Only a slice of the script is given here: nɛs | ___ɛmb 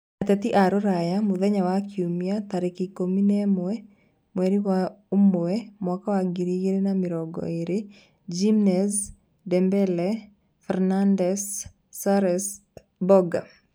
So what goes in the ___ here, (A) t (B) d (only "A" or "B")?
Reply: B